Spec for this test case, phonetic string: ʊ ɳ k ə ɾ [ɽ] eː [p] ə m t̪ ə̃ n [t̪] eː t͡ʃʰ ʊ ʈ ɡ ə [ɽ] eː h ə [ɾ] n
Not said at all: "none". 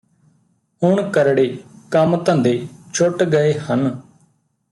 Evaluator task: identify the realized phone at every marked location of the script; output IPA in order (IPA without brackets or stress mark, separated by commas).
ɽ, k, d̪, none, none